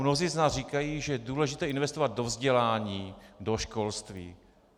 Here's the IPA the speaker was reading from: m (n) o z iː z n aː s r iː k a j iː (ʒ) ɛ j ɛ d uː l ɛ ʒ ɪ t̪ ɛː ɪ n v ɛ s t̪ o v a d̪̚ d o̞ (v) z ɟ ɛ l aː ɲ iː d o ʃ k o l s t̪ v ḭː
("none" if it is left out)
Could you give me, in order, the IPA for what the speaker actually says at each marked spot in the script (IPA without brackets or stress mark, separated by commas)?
n, ʒ, v